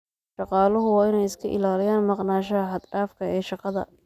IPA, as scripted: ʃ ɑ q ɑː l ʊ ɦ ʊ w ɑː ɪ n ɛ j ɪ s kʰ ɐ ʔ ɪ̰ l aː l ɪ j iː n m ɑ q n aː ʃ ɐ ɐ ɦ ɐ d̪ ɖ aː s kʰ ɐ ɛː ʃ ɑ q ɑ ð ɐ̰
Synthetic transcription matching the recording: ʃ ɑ q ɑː l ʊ ɦ ʊ w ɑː ɪ n ɛ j ɪ s kʰ ɐ ʔ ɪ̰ l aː l ɪ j aː n m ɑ q n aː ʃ ɐ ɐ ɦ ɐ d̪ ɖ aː f kʰ ɐ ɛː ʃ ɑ q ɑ ð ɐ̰